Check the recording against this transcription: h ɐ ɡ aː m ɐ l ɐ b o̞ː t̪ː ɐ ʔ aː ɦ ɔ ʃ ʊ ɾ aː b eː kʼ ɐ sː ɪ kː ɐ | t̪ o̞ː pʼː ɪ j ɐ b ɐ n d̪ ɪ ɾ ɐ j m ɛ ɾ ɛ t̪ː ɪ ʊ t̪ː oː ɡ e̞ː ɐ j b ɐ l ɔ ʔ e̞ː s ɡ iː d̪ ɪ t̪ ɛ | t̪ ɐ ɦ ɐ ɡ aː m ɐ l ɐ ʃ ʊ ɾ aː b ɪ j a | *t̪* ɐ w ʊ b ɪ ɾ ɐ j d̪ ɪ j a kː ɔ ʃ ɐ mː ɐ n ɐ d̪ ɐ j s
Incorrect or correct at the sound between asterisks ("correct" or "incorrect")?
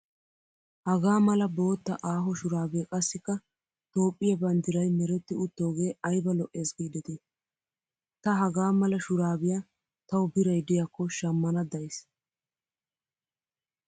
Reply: correct